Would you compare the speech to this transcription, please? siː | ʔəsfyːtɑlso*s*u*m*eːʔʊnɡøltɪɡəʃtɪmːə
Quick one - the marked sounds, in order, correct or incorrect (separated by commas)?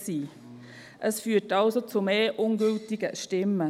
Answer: incorrect, correct